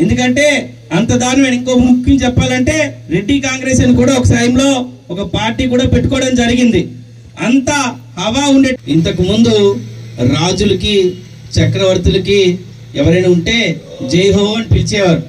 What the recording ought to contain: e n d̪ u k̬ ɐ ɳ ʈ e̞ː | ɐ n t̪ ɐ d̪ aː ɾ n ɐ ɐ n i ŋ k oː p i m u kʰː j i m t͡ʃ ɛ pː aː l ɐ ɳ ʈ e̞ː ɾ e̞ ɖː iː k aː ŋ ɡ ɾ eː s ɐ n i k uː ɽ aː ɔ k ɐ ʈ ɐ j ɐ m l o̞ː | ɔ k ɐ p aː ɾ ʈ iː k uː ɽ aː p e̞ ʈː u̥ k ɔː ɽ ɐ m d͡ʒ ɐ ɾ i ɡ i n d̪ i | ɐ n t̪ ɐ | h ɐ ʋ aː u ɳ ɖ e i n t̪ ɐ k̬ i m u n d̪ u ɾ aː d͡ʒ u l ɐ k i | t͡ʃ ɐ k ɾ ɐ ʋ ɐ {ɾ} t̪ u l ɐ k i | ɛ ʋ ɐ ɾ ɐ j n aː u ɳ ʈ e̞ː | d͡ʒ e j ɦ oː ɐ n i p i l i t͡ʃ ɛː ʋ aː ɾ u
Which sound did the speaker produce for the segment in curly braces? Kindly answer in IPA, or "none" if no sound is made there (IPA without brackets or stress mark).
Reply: ɾ